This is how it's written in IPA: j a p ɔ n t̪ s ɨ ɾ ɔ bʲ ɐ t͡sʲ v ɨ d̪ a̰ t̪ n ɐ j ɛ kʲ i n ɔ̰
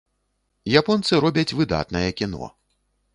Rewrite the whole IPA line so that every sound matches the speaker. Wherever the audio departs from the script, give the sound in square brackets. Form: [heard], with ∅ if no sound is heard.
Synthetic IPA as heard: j a p ɔ n t̪ s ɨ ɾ ɔ bʲ ɐ t͡sʲ v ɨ d̪ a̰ t̪ n ɐ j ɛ kʲ i n ɔ̰